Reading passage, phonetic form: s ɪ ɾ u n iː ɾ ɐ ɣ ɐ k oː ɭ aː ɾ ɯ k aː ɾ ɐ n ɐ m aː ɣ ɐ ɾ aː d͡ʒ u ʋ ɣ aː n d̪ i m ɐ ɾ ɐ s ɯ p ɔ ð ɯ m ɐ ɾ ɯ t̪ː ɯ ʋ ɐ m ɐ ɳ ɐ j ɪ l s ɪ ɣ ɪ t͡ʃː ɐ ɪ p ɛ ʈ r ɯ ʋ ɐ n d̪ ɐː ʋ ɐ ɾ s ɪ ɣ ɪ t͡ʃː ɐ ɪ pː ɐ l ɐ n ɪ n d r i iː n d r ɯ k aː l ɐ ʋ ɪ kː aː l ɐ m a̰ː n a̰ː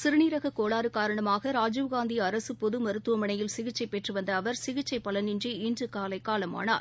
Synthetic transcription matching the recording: s ɪ ɾ ɯ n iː ɾ ɐ ɣ ɐ k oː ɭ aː ɾ ɯ k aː ɾ ɐ ɳ ɐ m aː ɣ ɐ ɾ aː d͡ʒ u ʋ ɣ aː n d̪ i ɐ ɾ ɐ s ɯ p ɔ ð ɯ m ɐ ɾ ɯ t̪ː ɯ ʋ ɐ m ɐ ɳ ɐ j ɪ l s ɪ ɣ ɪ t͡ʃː ɐ ɪ p ɛ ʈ r ɯ ʋ ɐ n d̪ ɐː ʋ ɐ ɾ s ɪ ɣ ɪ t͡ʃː ɐ ɪ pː ɐ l ɐ n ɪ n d r i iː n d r ɯ k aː l ɐ ɪ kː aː l ɐ m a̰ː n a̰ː